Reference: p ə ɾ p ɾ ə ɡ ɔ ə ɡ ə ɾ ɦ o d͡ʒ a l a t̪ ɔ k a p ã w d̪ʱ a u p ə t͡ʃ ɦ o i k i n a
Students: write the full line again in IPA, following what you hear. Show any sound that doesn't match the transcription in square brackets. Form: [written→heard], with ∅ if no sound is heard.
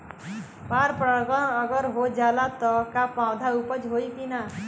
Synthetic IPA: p [ə→a] ɾ p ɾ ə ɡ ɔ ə ɡ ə ɾ ɦ o d͡ʒ a l a t̪ ɔ k a p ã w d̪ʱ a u p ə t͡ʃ ɦ o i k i n a